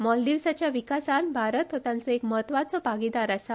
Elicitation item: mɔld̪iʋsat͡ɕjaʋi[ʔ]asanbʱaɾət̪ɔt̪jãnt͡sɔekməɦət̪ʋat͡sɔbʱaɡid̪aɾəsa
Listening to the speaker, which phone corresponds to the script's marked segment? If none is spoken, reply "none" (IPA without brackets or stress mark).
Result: k